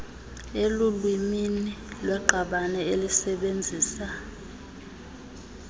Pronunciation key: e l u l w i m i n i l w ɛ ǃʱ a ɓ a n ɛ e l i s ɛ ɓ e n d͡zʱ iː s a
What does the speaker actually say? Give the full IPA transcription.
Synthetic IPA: e l u l w i m i n i l w ɛ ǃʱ a ɓ a n ɛ e l i s ɛ ɓ e n d͡zʱ iː s a

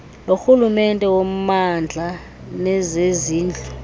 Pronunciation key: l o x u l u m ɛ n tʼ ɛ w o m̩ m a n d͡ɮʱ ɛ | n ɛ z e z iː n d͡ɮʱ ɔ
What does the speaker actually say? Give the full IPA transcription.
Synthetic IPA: l o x u l u m ɛ n tʼ ɛ w o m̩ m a n d͡ɮʱ a | n ɛ z e z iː n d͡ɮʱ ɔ

